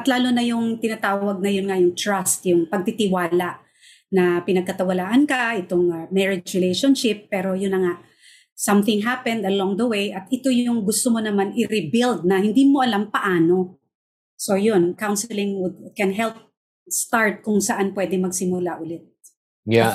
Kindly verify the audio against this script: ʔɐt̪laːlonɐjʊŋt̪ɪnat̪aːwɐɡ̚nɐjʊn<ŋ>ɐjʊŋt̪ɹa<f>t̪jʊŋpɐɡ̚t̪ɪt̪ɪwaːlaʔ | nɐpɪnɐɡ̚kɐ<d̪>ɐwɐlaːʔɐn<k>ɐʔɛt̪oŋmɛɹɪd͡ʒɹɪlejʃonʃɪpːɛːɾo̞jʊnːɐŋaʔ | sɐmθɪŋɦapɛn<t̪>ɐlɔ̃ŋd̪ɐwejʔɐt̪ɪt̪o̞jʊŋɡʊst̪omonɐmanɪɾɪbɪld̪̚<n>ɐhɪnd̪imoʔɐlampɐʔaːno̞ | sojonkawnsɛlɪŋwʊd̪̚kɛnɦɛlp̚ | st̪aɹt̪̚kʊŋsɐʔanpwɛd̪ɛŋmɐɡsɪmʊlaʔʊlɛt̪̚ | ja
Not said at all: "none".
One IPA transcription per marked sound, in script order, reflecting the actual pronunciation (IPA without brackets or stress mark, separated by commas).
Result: ŋ, s, t̪, k, d̪, n